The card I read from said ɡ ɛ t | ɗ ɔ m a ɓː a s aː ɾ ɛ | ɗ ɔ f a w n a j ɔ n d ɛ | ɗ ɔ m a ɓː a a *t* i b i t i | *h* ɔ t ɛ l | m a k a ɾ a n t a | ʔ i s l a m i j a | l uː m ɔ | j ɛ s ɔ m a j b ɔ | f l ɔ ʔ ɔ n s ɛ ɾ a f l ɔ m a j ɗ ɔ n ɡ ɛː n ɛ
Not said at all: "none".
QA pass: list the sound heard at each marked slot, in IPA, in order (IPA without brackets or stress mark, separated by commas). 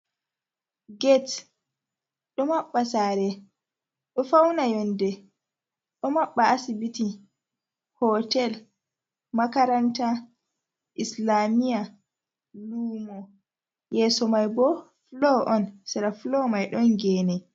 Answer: s, h